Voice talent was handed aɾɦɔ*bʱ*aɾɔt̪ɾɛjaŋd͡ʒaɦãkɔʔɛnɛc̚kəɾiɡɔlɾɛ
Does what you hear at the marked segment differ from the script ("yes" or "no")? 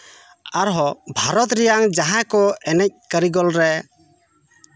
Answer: no